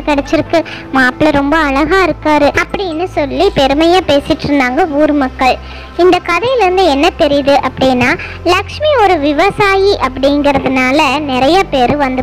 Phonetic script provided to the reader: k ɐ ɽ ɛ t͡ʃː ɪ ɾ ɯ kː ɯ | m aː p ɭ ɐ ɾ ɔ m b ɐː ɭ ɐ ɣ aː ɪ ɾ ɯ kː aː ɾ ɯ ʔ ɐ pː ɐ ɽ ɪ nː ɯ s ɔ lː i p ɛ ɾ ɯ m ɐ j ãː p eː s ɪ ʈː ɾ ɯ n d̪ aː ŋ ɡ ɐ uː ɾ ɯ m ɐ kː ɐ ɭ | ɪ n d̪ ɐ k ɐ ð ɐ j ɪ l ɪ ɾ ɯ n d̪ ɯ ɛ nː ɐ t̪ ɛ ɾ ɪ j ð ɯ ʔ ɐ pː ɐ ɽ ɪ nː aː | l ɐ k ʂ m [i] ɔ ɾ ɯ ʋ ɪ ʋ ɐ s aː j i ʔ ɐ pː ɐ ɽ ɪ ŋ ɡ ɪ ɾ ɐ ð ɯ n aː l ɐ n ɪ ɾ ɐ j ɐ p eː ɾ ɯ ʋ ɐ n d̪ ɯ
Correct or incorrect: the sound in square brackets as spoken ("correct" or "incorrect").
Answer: correct